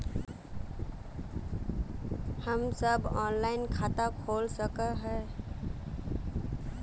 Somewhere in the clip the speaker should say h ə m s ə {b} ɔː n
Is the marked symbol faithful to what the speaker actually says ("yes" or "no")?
yes